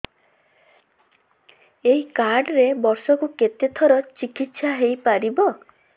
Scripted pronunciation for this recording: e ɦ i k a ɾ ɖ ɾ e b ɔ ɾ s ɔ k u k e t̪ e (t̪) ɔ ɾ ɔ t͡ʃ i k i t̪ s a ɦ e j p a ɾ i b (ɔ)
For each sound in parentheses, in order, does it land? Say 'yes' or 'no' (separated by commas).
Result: no, yes